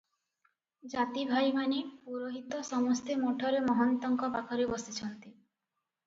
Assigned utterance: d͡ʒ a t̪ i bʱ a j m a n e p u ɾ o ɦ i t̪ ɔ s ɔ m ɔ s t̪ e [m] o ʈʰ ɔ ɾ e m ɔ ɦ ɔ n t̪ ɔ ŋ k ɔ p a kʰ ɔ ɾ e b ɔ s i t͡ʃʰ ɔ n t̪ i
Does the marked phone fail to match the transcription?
no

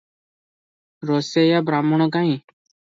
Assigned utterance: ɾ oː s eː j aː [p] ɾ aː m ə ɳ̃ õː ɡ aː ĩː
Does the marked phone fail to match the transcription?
yes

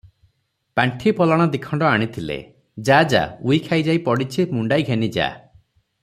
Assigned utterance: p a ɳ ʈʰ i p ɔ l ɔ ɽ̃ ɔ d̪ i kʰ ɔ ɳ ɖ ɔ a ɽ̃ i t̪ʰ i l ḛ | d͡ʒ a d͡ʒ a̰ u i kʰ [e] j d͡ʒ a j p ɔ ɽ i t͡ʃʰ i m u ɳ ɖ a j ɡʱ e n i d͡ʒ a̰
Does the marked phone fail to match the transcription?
yes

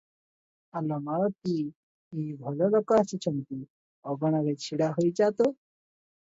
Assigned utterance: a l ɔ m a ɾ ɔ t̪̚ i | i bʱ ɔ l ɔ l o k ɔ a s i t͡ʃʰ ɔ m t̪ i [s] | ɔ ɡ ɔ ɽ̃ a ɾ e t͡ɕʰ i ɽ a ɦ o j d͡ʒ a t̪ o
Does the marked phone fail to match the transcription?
yes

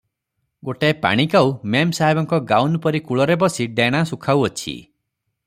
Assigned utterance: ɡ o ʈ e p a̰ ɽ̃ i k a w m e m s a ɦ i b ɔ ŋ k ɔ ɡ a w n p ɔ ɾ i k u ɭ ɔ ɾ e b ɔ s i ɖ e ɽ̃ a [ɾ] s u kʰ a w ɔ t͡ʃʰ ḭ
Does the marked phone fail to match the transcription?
yes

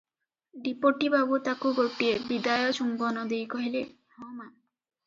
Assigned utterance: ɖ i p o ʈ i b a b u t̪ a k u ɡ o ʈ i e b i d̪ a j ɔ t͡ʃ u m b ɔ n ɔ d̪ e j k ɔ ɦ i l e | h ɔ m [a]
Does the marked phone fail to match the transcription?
no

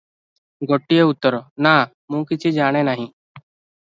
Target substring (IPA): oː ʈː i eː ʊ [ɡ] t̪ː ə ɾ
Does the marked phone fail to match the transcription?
yes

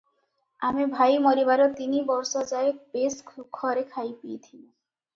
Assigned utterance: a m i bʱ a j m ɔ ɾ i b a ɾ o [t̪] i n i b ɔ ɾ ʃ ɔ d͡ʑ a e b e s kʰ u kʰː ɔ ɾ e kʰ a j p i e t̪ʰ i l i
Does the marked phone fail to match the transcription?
no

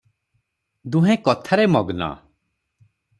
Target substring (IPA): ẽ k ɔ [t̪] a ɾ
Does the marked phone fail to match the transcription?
yes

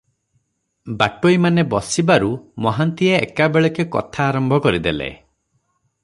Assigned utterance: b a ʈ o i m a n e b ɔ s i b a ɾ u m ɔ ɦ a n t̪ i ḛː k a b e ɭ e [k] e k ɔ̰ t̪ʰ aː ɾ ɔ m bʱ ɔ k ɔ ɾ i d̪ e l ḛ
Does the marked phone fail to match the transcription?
no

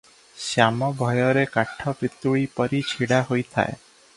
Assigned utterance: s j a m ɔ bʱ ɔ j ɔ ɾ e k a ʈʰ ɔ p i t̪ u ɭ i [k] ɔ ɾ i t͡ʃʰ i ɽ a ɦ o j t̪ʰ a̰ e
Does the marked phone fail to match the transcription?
yes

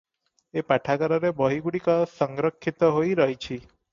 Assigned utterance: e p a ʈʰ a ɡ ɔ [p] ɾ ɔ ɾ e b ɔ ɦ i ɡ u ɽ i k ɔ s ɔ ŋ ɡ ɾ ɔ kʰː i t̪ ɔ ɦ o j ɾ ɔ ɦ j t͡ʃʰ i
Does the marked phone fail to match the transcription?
yes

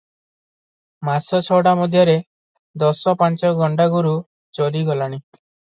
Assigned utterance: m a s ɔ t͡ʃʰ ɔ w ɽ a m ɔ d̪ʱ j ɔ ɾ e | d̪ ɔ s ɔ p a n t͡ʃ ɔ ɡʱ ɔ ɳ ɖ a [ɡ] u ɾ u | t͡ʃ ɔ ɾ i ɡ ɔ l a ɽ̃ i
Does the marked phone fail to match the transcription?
no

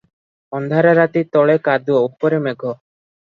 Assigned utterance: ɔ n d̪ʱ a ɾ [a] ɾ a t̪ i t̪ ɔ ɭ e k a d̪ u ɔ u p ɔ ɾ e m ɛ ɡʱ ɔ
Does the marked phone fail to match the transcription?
no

